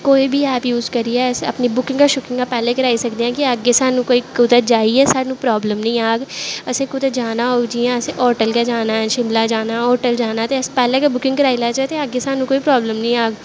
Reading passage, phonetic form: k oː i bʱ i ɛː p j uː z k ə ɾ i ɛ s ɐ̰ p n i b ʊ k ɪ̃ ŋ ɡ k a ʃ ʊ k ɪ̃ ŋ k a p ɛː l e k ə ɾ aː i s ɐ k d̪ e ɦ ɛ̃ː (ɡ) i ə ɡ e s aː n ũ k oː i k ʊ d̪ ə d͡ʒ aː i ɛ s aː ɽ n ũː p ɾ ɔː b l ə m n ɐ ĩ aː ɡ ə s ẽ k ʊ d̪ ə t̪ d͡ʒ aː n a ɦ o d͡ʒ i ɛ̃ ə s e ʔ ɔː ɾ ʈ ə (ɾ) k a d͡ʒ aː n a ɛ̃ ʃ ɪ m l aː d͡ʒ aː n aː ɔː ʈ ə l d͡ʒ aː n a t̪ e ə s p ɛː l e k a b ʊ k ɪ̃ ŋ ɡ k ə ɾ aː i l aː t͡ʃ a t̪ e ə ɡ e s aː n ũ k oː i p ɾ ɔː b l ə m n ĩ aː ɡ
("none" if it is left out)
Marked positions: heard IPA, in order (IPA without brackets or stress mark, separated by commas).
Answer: k, l